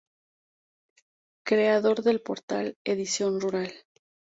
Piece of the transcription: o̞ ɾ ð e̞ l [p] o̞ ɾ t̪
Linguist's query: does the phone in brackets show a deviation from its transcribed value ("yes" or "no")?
no